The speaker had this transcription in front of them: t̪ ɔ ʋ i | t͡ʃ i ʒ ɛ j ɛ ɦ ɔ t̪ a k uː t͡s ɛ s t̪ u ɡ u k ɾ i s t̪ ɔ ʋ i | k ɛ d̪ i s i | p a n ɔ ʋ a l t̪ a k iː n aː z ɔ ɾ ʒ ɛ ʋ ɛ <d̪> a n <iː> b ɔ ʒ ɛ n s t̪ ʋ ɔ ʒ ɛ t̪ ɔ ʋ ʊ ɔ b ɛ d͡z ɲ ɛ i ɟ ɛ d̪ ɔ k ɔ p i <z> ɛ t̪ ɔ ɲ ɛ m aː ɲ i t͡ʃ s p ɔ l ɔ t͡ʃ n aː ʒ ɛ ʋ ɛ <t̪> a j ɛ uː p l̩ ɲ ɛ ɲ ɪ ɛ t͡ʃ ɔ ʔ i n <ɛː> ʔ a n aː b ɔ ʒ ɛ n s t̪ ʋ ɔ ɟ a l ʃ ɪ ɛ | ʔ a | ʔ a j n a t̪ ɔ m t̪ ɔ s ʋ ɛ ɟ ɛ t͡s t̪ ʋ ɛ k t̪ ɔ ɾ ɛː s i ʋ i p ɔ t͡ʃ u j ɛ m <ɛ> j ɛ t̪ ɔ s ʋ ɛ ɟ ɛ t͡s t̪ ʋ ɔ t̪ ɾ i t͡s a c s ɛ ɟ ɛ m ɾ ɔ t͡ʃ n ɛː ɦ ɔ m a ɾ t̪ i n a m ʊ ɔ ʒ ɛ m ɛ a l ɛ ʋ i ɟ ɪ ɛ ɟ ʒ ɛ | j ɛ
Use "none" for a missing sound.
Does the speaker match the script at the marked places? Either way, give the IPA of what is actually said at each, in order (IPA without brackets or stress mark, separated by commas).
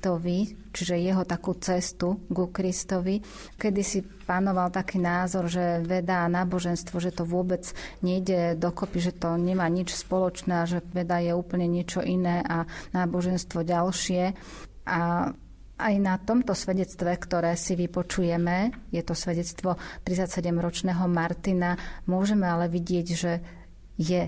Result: d̪, aː, ʒ, d̪, ɛː, ɛ